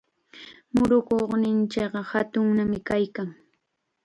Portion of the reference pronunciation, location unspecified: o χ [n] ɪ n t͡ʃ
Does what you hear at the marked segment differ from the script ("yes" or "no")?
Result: no